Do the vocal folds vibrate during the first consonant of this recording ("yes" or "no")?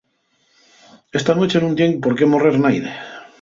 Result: no